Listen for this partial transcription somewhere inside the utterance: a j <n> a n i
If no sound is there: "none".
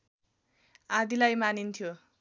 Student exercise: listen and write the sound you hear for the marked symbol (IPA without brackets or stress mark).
m